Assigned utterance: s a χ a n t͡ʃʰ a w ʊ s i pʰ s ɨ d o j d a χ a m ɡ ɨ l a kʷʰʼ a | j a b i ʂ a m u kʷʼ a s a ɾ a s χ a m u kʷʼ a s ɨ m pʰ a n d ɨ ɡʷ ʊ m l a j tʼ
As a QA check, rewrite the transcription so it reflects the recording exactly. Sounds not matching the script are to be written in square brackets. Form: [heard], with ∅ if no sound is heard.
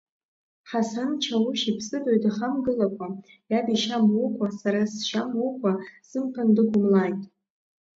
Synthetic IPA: [ħ] a [s] a n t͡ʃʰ a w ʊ [ʃ] i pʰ s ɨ d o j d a χ a m ɡ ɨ l a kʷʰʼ a | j a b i [ʃ] a m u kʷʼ a s a ɾ a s [ʃ] a m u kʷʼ a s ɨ m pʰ a n d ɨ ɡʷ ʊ m l a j tʼ